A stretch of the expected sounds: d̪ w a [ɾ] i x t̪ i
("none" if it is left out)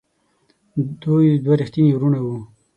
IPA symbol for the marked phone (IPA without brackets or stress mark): ɾ